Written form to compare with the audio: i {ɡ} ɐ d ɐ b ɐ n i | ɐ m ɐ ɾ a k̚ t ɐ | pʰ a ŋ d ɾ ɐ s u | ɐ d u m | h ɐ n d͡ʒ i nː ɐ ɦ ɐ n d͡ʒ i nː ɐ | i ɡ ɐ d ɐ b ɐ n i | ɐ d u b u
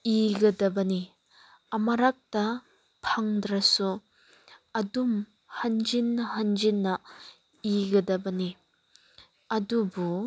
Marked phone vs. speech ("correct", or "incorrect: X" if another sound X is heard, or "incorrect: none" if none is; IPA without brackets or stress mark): correct